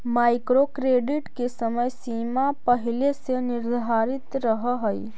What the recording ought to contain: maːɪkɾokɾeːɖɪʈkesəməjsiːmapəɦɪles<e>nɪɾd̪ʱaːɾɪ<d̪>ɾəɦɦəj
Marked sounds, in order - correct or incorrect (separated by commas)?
correct, incorrect